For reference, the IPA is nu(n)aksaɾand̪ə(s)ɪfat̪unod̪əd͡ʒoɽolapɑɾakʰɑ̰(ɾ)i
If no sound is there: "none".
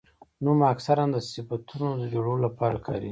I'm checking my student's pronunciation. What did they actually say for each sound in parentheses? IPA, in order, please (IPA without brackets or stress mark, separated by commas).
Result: m, s, ɾ